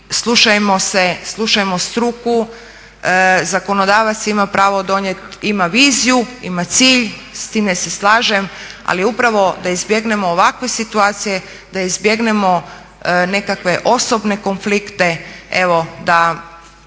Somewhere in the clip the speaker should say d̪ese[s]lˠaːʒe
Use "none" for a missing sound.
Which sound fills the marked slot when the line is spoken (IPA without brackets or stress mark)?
s